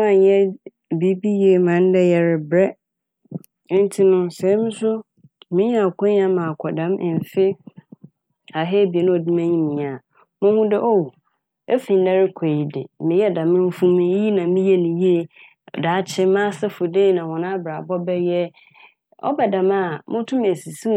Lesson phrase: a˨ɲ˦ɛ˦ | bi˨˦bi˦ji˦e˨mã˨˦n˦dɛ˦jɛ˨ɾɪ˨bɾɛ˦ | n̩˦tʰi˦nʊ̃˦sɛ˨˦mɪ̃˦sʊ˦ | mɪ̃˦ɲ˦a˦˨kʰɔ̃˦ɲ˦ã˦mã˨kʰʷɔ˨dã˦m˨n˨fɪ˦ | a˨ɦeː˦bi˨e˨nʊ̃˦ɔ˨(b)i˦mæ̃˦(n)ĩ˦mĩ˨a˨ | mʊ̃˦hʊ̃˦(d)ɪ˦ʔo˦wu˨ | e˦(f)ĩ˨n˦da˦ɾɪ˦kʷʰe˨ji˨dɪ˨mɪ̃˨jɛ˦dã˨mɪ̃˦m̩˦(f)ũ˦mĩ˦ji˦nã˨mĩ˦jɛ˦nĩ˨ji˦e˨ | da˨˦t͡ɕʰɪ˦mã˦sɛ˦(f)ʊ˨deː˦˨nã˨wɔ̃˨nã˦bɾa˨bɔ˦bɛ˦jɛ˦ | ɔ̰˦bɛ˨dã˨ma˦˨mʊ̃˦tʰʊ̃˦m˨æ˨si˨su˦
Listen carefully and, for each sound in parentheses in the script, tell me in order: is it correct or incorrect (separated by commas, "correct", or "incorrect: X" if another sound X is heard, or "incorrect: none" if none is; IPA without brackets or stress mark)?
incorrect: d, incorrect: ɲ, correct, correct, correct, correct